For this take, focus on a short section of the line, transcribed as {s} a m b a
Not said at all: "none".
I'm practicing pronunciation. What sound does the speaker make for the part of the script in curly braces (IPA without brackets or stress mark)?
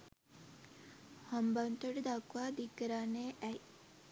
h